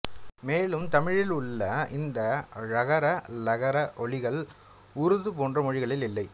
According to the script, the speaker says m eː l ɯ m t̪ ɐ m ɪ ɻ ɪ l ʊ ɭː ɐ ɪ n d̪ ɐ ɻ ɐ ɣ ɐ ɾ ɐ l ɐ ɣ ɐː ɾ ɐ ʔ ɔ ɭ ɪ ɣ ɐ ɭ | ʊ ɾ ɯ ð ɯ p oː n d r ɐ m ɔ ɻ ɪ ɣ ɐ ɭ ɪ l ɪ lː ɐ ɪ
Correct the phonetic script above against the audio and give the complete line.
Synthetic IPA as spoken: m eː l ɯ m t̪ ɐ m ɪ ɻ ɪ l ʊ ɭː ɐ ɪ n d̪ ɐ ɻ ɐ ɣ ɐ ɾ ɐ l ɐ ɣ ɐ ɾ ɐ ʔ ɔ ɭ ɪ ɣ ɐ ɭ | ʊ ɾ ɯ ð ɯ p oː n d r ɐ m ɔ ɻ ɪ ɣ ɐ ɭ ɪ l ɪ lː ɐ ɪ